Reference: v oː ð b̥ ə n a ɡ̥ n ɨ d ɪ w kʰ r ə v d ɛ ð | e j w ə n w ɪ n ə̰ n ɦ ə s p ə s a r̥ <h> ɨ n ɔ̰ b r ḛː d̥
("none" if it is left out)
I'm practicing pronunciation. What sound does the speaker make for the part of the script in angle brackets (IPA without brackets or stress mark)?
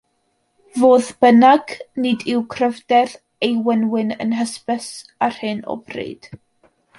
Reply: h